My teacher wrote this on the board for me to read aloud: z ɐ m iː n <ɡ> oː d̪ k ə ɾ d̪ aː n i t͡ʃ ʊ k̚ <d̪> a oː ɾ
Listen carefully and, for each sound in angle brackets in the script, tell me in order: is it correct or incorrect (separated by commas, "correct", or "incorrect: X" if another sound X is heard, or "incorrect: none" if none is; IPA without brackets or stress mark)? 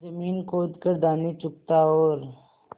incorrect: k, incorrect: t̪